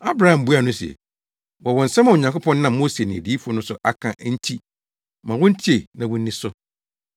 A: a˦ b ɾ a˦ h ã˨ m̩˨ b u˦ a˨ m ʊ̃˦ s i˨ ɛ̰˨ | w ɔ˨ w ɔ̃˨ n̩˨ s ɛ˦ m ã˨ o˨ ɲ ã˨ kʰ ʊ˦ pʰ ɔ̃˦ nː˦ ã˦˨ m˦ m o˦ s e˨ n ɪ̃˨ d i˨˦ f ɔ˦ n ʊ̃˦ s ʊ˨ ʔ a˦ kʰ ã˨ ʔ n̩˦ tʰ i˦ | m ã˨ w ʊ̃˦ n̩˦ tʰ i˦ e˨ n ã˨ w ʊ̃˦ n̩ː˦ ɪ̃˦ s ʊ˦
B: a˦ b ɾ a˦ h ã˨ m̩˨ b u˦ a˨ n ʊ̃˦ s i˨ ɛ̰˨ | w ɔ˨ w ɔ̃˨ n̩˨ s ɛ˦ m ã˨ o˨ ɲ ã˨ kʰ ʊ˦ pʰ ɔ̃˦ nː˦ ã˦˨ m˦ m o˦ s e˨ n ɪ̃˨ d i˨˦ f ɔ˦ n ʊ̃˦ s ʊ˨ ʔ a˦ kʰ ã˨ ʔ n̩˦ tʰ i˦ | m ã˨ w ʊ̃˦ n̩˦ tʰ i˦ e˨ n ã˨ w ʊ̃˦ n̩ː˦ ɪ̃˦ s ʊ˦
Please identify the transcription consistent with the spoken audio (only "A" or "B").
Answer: B